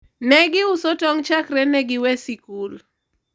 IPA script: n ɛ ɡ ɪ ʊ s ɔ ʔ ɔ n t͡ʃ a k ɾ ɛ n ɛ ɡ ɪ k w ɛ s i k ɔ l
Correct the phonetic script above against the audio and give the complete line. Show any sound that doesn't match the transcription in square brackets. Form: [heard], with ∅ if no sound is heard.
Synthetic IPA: n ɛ ɡ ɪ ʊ s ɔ [t] ɔ [ŋ] t͡ʃ a k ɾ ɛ n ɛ ɡ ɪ [∅] w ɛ s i k [u] l